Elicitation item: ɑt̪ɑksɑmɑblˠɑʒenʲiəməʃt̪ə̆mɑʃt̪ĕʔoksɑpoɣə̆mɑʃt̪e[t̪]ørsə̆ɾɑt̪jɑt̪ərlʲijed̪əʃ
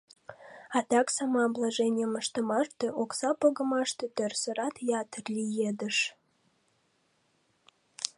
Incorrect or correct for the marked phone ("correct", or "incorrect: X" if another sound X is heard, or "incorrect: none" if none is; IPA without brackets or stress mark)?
correct